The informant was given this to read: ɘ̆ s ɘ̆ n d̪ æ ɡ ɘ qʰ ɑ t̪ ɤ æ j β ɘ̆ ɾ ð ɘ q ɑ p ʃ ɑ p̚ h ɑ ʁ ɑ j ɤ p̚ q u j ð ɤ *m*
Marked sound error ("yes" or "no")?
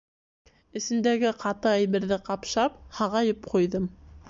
no